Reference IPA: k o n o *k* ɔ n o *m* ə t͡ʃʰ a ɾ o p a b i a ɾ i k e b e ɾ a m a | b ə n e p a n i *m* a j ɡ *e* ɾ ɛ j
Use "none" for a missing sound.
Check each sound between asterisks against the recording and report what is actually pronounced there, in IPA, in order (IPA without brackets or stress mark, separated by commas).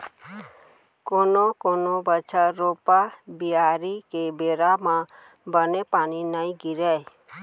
k, b, n, i